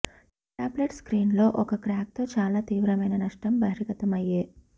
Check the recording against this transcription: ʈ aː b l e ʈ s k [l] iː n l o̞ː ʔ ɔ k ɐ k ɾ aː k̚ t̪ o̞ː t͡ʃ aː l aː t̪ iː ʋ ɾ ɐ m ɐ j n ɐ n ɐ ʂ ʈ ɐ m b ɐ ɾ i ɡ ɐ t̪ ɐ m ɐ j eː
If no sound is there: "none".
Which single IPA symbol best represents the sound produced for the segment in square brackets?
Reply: ɾ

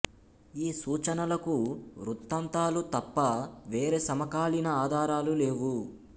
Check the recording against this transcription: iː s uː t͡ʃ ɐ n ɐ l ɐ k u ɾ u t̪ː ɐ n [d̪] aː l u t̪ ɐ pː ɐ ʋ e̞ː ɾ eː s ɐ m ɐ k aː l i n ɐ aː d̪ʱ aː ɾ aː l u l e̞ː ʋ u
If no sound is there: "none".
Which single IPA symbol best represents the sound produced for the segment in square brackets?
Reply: t̪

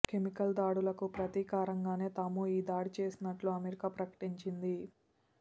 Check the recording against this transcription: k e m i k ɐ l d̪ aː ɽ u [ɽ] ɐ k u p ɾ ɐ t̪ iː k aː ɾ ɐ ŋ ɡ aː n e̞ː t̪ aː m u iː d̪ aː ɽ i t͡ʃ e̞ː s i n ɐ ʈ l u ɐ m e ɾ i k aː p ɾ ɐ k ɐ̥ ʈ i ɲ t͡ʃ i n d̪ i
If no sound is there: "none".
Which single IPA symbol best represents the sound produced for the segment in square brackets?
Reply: l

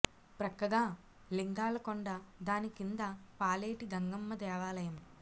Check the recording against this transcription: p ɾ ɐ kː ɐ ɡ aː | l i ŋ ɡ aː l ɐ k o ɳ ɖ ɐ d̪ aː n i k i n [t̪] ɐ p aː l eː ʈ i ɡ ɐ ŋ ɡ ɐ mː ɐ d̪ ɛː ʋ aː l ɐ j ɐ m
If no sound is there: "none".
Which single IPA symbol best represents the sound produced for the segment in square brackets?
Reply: d̪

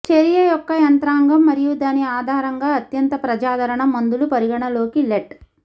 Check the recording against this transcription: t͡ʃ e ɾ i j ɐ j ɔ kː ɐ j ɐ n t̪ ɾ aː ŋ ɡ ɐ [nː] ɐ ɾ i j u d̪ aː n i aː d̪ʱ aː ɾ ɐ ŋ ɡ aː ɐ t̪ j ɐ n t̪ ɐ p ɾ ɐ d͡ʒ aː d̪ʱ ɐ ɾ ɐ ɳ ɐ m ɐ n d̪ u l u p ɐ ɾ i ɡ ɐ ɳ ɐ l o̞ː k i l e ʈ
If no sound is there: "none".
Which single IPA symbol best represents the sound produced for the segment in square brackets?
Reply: mː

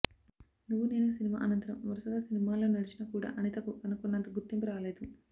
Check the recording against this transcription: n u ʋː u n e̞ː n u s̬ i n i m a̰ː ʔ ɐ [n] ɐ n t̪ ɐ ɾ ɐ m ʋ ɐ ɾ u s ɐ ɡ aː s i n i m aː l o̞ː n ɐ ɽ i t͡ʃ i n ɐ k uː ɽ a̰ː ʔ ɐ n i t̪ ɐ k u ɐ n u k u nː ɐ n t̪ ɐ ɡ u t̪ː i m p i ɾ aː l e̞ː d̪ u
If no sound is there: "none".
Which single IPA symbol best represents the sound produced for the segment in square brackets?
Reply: n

